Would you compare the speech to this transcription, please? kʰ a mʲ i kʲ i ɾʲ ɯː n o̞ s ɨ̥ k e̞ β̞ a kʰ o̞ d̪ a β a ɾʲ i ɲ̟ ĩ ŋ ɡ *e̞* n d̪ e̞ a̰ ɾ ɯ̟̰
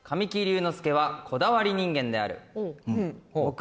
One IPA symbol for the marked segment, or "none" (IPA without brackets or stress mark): ẽ̞